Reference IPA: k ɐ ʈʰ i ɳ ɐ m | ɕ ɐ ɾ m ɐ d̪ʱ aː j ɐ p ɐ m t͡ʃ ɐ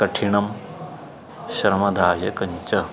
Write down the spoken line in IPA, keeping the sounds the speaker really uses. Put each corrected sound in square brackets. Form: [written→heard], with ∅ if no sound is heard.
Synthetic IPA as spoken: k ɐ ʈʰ i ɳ ɐ m | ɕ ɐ ɾ m ɐ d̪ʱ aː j ɐ [p→k] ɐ [m→ɲ] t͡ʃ ɐ

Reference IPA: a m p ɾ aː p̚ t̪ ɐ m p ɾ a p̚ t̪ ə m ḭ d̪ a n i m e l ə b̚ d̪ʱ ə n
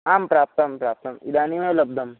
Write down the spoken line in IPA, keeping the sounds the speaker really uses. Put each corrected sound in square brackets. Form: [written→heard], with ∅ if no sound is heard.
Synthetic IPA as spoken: a m p ɾ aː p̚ t̪ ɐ m p ɾ a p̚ t̪ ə m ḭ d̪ a n i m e l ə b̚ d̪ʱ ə [n→m]

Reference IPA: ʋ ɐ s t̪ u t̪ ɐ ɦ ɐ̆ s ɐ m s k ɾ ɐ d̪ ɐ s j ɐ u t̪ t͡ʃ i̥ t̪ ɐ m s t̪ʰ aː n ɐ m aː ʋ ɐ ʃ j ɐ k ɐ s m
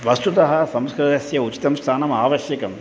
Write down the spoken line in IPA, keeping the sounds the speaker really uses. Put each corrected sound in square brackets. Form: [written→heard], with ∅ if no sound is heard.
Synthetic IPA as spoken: ʋ ɐ s t̪ u t̪ ɐ ɦ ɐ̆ s ɐ m s k ɾ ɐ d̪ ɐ s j ɐ u [t̪→∅] t͡ʃ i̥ t̪ ɐ m s t̪ʰ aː n ɐ m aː ʋ ɐ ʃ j ɐ k ɐ [s→∅] m

